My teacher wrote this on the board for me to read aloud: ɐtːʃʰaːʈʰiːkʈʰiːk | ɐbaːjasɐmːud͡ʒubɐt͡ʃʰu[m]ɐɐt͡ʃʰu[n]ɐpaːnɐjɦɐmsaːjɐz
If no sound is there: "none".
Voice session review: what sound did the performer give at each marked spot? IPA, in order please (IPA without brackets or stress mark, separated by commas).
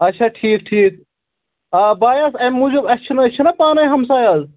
n, n